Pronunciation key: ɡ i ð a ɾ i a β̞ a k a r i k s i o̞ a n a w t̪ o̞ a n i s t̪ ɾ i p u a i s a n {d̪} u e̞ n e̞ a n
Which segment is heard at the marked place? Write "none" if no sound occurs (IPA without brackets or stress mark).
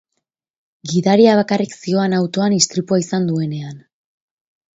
d̪